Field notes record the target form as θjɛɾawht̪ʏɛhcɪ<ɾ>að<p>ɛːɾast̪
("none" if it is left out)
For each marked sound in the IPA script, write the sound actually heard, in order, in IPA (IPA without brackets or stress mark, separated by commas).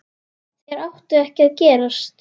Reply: none, c